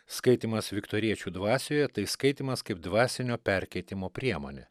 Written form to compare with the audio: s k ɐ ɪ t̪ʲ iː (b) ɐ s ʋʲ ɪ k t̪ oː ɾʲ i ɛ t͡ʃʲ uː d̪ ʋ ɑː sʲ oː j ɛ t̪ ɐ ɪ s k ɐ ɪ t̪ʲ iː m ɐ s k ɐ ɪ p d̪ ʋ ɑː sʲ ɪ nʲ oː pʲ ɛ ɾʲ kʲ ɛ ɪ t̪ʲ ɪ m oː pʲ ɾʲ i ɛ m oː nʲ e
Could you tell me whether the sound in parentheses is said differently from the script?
yes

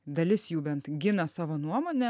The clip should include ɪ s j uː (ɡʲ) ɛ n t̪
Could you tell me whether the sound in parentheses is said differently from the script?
yes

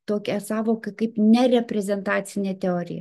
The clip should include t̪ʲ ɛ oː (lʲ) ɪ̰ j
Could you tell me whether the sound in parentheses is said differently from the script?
yes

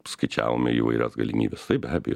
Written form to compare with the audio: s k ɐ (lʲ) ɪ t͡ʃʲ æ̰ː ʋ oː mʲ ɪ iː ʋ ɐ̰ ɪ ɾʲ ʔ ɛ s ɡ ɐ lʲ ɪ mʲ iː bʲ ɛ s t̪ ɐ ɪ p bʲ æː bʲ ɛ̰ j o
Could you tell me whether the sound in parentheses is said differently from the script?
yes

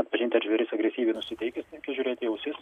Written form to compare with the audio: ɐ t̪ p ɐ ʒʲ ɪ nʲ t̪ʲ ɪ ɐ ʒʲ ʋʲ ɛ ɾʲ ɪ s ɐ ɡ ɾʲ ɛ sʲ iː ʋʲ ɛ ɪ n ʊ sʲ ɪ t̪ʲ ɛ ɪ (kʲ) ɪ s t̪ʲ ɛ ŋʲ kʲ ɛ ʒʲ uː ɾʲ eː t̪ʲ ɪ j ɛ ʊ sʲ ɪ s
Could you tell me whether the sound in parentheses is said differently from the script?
no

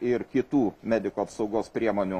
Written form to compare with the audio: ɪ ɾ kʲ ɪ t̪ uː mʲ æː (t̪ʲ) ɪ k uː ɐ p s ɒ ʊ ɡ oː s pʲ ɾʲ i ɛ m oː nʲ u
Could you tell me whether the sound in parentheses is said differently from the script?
yes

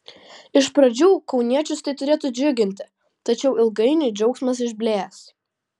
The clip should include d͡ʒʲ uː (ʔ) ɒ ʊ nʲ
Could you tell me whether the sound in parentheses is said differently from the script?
yes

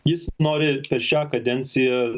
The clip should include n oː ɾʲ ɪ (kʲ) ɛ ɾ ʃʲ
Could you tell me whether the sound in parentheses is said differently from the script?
yes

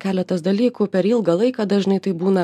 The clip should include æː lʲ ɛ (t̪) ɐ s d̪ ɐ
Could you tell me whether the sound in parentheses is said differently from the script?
no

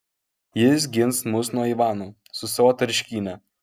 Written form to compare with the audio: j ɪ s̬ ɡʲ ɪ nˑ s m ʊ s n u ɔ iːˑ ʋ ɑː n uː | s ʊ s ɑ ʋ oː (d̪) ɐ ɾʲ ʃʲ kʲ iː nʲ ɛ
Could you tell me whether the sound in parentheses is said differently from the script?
yes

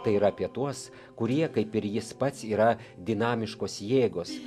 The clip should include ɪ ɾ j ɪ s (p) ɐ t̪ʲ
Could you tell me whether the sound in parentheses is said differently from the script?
no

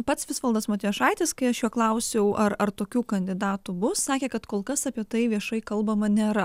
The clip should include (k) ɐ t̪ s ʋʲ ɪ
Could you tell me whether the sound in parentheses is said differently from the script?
yes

